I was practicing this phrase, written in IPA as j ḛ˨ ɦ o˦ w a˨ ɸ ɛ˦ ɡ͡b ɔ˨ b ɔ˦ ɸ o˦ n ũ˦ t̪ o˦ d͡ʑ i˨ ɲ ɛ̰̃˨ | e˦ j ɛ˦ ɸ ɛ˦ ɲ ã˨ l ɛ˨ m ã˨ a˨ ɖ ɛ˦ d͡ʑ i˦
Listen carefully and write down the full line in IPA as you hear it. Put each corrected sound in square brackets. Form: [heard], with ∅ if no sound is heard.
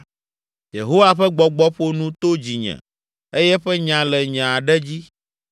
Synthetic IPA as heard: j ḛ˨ ɦ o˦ w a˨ ɸ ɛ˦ ɡ͡b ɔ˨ [ɡ͡b] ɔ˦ ɸ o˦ n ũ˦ t̪ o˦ d͡ʑ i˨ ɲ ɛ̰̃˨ | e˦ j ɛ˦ ɸ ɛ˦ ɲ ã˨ l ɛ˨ [ɲ] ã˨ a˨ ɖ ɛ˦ d͡ʑ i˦